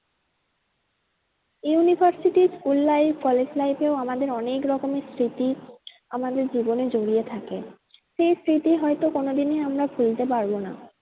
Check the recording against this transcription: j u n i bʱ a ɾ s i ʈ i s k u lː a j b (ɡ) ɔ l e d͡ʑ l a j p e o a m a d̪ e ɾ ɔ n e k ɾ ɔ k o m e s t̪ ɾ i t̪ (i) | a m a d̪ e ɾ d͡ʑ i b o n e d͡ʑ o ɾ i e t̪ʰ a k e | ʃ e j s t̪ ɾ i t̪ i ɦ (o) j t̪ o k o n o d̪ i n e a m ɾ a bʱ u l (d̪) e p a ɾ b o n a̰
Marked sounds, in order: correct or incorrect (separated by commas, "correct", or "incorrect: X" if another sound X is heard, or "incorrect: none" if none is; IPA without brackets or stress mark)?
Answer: incorrect: k, correct, incorrect: ɔ, incorrect: t̪